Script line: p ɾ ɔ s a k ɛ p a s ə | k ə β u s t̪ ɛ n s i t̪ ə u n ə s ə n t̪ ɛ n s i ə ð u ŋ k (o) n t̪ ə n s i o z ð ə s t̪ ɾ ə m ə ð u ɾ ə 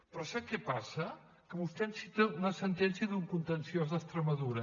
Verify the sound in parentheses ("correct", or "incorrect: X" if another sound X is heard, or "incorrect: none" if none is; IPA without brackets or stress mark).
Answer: incorrect: u